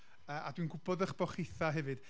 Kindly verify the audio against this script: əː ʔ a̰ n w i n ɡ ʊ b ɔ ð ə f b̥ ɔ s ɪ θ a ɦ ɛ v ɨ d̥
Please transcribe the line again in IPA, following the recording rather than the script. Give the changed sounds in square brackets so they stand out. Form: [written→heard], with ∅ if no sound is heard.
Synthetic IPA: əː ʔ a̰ [n→d] w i n ɡ ʊ b ɔ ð ə [f→χ] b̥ ɔ [s→χ] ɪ θ a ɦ ɛ v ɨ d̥